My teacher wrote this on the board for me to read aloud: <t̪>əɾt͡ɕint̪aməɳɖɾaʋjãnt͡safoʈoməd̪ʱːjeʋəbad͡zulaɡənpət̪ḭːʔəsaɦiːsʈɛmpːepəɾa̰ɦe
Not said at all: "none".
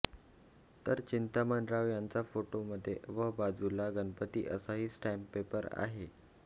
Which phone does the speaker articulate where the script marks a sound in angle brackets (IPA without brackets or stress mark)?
t̪